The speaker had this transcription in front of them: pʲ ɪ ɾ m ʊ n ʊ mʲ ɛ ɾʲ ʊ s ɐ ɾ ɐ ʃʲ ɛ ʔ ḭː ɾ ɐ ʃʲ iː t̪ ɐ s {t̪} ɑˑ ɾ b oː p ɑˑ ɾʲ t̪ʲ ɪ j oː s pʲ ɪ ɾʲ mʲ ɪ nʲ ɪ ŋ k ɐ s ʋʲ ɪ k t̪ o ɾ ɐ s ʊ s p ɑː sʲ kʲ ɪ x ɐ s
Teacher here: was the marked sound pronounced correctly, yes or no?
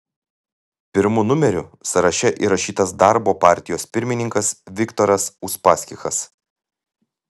no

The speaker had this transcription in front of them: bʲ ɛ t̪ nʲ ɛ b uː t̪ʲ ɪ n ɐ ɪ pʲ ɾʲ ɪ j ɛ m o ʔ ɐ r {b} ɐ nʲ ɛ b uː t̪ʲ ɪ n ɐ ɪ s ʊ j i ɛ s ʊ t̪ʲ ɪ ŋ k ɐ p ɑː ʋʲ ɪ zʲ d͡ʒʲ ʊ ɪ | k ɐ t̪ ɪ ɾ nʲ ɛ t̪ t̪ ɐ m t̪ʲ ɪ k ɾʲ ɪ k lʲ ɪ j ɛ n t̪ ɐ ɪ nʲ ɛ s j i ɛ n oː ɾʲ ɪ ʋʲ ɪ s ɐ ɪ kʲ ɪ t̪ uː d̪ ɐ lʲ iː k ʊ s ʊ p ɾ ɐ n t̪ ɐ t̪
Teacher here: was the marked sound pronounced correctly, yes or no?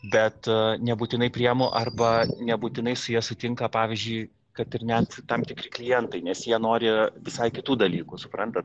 yes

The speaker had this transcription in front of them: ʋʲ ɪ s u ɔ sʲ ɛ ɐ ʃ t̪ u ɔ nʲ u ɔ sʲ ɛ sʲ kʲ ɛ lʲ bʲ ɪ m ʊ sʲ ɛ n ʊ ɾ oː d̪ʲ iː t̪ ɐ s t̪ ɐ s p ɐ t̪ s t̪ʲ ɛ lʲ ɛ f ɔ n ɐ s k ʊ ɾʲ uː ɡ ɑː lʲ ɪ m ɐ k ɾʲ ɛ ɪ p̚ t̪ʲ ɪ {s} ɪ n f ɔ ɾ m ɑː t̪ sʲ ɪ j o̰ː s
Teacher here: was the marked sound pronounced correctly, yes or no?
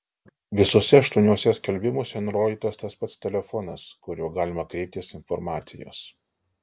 yes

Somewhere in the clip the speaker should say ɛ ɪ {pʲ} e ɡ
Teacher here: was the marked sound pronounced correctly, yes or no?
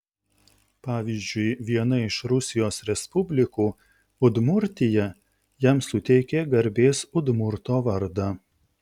no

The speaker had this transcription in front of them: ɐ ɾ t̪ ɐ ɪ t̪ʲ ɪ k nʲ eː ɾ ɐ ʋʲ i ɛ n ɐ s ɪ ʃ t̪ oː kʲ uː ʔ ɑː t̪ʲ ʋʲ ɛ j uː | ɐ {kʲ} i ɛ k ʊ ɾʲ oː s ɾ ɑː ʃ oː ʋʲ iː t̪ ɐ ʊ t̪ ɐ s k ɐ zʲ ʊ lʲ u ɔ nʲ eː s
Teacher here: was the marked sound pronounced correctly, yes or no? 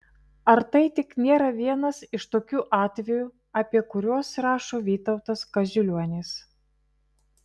no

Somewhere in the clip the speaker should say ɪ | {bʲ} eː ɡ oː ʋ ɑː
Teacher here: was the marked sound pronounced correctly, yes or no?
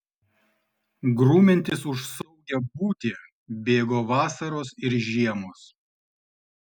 yes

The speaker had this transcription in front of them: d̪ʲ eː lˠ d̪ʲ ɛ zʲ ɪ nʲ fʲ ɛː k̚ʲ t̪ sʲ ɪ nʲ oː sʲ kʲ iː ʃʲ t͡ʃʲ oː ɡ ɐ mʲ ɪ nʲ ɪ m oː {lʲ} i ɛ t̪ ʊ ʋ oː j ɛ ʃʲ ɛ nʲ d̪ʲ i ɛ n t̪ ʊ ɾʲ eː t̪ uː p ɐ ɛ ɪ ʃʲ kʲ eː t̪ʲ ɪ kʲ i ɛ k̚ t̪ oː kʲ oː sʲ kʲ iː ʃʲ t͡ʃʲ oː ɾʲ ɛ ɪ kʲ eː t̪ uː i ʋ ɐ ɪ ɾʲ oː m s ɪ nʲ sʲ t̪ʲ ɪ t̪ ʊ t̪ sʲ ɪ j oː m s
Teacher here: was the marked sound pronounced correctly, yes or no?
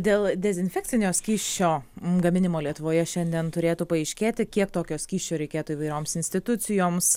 yes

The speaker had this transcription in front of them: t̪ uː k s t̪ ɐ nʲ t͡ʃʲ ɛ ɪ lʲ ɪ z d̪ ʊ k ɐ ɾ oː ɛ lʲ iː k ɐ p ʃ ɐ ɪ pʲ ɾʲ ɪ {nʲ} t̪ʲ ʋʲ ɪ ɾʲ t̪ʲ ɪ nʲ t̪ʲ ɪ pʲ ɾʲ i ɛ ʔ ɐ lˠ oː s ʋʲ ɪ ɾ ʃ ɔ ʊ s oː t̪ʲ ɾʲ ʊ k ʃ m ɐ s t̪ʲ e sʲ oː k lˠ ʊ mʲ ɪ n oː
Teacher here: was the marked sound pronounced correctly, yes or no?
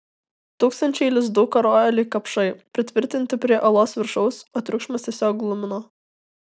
no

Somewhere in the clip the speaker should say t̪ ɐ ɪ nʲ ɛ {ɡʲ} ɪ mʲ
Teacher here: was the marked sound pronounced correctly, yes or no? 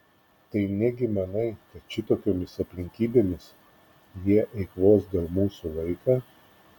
yes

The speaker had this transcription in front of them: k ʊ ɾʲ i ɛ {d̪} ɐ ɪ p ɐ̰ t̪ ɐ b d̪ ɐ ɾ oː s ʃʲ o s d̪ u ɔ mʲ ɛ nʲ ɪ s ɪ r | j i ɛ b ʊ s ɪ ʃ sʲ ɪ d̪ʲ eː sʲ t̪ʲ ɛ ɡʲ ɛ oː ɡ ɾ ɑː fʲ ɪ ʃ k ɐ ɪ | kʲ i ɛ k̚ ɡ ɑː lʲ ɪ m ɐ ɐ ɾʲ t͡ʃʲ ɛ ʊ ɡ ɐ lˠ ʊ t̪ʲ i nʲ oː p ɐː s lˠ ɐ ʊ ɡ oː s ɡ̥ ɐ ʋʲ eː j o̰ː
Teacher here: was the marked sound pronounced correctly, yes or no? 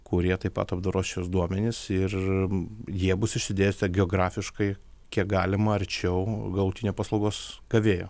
no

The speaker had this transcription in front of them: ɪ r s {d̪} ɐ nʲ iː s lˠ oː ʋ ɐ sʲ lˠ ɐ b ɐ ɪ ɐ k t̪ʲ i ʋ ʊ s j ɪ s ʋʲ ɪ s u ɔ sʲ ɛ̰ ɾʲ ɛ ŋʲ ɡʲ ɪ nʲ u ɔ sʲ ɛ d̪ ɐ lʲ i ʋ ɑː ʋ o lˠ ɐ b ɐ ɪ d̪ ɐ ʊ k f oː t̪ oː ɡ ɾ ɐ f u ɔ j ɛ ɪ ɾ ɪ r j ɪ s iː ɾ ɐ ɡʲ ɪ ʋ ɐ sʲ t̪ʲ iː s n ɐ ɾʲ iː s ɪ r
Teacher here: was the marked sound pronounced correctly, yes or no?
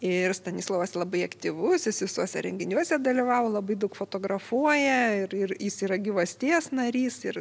no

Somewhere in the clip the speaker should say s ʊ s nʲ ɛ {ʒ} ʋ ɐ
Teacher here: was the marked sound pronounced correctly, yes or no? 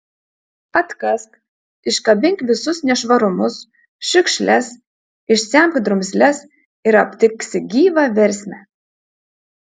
no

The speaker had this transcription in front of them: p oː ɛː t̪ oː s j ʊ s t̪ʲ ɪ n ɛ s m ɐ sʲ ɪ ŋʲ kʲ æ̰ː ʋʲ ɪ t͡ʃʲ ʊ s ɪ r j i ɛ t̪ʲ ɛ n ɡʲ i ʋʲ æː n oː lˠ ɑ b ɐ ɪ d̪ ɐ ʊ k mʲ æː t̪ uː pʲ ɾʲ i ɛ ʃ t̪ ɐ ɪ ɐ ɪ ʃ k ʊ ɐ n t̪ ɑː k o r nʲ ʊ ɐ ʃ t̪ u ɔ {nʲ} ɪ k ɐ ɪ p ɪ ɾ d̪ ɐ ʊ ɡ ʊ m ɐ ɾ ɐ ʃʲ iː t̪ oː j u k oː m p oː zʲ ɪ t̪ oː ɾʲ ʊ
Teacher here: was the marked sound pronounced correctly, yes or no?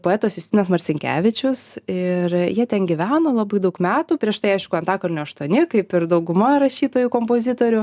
yes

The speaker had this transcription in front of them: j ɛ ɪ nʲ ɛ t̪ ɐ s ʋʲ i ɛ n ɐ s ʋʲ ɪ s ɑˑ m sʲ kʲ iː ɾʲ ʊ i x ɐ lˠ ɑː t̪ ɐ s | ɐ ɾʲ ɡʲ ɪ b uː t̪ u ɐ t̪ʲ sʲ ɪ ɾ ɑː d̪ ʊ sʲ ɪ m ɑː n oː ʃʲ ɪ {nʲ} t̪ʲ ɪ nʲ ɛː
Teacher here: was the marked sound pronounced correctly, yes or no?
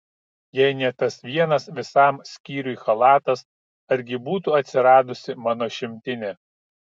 no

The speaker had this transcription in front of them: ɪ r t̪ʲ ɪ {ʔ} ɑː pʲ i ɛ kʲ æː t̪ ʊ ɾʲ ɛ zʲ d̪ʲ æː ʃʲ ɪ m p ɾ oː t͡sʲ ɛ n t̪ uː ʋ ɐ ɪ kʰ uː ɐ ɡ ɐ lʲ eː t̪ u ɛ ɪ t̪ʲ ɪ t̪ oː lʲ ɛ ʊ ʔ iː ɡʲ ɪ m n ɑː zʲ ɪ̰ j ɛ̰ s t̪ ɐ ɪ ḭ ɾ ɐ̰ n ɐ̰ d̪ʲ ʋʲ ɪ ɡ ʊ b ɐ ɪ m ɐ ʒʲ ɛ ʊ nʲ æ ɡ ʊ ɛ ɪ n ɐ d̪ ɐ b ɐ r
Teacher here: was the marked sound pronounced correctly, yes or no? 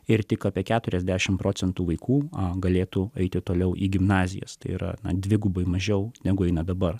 no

